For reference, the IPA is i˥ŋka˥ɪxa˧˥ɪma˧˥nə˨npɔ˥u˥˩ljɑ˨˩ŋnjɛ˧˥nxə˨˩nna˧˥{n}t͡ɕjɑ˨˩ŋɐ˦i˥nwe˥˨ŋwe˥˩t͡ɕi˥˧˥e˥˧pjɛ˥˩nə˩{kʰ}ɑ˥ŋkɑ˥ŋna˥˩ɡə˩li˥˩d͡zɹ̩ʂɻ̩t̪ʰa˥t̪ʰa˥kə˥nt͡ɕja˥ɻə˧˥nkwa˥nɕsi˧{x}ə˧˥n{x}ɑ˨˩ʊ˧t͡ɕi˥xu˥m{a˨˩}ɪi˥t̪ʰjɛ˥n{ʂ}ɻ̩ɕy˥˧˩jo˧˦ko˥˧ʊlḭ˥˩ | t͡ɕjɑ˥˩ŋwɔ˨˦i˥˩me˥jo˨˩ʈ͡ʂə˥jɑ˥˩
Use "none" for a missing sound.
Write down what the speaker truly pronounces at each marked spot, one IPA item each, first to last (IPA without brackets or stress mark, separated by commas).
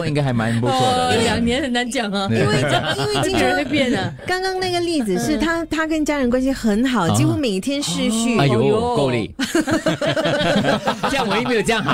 n, k, x, x, e˨˩, ʂ